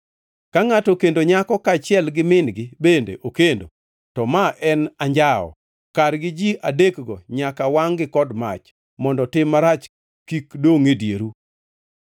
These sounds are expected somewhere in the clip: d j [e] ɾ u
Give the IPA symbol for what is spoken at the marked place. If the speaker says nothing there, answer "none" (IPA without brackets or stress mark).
e